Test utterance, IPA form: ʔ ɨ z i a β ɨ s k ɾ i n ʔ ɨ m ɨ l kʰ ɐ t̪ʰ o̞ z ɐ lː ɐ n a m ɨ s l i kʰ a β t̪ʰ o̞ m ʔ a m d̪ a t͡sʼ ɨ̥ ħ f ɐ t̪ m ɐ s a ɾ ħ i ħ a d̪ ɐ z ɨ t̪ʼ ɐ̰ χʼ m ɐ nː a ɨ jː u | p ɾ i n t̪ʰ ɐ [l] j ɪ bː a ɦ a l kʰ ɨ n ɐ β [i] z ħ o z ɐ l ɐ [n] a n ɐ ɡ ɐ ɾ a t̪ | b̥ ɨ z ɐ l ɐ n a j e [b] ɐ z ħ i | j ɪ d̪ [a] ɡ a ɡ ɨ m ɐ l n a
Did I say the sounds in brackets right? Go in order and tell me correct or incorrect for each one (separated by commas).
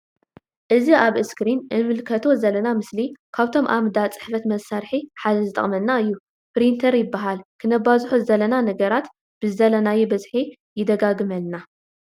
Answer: incorrect, incorrect, correct, correct, incorrect